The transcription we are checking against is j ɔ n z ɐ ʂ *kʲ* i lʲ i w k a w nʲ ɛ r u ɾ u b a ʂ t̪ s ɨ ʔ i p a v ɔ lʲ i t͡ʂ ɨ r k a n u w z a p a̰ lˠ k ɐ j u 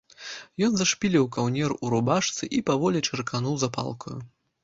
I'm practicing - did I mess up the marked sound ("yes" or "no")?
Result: yes